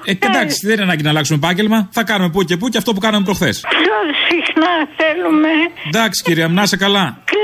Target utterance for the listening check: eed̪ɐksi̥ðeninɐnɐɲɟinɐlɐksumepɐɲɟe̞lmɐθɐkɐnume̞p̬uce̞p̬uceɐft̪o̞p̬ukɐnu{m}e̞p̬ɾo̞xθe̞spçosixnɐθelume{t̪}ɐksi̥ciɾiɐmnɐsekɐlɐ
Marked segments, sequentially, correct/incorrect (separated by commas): correct, incorrect